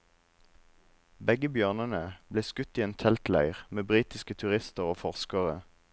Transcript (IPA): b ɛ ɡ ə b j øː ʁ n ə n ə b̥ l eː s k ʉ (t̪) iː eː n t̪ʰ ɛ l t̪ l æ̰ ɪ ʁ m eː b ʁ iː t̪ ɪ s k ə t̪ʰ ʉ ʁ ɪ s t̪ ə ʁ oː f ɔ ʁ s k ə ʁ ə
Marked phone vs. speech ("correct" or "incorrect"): correct